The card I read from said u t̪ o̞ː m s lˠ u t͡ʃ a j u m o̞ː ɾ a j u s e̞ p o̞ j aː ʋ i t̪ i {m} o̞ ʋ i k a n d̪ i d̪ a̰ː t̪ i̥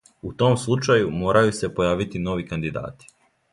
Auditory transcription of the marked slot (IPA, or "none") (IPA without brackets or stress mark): n